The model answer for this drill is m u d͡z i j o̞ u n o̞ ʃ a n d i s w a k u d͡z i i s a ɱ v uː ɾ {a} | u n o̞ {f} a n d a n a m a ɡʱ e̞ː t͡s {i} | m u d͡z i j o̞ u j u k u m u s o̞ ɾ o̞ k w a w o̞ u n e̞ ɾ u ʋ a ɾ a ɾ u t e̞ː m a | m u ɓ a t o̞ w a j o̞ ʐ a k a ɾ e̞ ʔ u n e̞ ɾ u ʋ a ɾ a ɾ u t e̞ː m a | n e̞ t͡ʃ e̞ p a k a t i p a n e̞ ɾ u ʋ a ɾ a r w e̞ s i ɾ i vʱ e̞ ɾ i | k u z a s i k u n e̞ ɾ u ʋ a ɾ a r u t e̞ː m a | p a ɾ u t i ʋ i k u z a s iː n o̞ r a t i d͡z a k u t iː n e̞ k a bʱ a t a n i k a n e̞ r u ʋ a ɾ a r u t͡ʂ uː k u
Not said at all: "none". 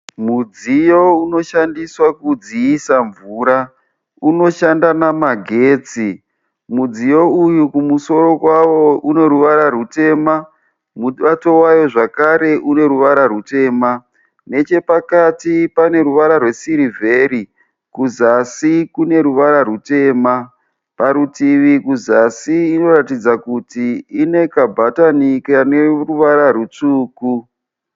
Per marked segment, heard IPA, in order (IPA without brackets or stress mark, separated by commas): a, ʃ, i